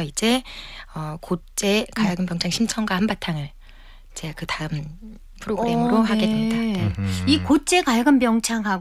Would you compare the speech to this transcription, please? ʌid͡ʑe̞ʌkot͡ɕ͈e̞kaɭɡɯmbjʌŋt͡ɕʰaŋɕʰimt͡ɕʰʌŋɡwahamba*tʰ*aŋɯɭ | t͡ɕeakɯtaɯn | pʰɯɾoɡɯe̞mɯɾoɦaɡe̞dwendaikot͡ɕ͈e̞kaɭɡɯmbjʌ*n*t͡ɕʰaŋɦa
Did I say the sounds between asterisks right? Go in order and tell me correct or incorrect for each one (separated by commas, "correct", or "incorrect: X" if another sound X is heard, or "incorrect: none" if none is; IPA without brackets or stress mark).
correct, incorrect: ŋ